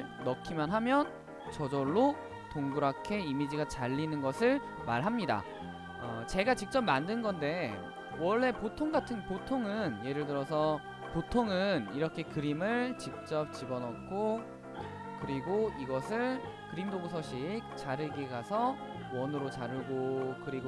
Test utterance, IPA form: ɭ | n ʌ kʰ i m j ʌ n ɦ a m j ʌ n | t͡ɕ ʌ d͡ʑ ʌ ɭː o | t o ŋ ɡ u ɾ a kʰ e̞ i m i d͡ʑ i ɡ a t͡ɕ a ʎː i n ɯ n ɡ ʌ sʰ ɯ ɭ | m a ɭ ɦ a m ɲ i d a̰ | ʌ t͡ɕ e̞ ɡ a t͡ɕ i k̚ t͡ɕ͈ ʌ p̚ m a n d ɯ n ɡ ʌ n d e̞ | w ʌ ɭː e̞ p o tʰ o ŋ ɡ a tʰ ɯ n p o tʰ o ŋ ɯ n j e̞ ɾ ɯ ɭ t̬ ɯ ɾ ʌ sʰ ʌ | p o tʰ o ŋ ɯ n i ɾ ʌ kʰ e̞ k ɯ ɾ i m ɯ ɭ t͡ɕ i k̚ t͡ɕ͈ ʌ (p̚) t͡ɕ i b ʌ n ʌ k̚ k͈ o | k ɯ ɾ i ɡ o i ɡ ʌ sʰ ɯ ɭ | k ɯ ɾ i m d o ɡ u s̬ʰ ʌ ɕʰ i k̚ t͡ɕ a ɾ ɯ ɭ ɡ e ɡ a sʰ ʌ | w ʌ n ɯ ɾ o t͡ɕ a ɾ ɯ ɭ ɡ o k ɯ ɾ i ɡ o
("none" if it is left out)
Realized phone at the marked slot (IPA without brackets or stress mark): p̚